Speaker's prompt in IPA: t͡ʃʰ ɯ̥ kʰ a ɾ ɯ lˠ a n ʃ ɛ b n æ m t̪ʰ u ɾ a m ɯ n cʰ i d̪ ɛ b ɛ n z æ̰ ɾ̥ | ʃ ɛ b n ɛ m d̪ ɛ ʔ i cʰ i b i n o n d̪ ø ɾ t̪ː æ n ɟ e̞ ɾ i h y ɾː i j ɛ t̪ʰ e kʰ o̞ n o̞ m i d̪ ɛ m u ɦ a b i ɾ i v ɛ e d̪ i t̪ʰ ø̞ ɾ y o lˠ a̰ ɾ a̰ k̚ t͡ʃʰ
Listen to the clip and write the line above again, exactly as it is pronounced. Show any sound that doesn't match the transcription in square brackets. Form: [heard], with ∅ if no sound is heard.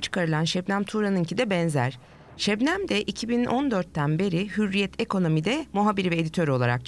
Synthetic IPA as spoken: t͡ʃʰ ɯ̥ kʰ a ɾ ɯ lˠ a n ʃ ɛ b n æ m t̪ʰ u ɾ a [n] ɯ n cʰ i d̪ ɛ b ɛ n z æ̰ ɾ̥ | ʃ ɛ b n [æ] m d̪ ɛ ʔ i cʰ i b i n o n d̪ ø ɾ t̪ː æ n [b] e̞ ɾ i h y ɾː i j ɛ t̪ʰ e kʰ o̞ n o̞ m i d̪ ɛ m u ɦ a b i ɾ i v ɛ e d̪ i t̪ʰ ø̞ ɾ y o lˠ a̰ ɾ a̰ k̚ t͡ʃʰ